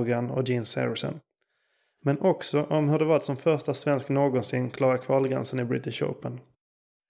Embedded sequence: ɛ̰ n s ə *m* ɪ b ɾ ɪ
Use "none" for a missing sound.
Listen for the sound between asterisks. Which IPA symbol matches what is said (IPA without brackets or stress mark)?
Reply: n